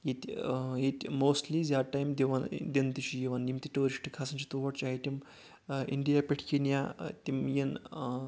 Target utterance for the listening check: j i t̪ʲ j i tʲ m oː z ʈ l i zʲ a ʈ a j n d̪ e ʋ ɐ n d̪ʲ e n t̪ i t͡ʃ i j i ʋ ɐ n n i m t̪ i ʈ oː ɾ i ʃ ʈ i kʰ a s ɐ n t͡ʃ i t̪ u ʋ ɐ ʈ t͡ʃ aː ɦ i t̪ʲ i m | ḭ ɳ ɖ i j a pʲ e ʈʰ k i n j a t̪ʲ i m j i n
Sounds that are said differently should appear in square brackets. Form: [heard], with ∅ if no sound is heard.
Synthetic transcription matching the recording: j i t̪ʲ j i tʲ m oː [s] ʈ l i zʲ a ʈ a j [m] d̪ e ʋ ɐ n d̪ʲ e n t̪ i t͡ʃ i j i ʋ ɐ n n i m t̪ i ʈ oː ɾ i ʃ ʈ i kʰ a s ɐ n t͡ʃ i t̪ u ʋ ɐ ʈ t͡ʃ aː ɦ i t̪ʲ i m | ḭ ɳ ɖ i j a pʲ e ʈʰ k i n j a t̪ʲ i m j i n